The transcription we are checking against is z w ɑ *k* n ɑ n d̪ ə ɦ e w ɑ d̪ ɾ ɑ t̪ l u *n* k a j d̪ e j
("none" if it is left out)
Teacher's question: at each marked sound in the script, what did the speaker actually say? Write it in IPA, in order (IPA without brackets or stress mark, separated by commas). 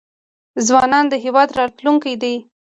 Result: none, ŋ